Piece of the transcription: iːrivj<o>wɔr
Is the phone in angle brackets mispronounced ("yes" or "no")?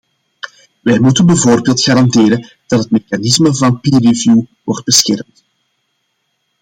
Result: yes